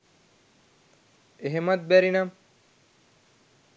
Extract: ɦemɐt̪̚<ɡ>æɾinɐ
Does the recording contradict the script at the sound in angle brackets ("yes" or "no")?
yes